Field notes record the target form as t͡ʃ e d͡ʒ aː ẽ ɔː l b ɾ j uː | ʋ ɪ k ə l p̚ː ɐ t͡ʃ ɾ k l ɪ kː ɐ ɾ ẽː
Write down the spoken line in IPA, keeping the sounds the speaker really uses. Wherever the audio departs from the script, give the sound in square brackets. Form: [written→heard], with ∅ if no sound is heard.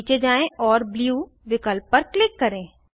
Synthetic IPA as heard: t͡ʃ e d͡ʒ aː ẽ ɔː [l→ɾ] b [ɾ→l] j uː | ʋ ɪ k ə l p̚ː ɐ [t͡ʃ→∅] ɾ k l ɪ kː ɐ ɾ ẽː